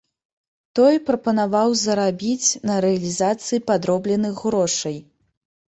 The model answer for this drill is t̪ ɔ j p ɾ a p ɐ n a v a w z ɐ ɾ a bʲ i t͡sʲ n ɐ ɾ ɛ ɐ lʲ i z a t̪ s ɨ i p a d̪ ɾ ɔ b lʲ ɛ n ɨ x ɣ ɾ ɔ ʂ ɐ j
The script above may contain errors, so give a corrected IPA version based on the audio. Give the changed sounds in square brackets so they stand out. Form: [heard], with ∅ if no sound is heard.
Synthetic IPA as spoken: t̪ ɔ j p ɾ [ɐ] p ɐ n a v a w z ɐ ɾ a bʲ i t͡sʲ n ɐ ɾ ɛ ɐ lʲ i z a t̪ s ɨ i p a d̪ ɾ ɔ b lʲ ɛ n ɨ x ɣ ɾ ɔ ʂ ɐ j